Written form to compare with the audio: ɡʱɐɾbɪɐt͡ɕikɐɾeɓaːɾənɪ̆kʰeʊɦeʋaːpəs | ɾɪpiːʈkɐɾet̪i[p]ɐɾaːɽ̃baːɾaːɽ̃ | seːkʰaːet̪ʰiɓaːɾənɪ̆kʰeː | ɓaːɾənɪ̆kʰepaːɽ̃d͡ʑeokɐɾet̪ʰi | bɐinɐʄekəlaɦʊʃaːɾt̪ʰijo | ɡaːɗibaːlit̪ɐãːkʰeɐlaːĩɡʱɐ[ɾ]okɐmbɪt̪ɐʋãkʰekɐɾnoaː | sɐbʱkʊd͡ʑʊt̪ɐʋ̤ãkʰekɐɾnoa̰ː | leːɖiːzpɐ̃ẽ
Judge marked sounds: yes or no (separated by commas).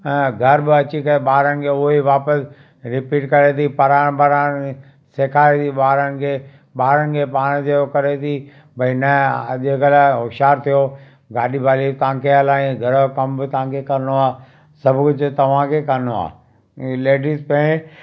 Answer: yes, yes